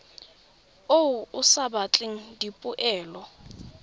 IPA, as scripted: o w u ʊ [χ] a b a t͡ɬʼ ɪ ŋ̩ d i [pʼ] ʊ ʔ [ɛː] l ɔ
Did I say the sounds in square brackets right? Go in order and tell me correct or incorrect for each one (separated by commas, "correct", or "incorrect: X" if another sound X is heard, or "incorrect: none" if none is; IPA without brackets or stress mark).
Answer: incorrect: s, correct, correct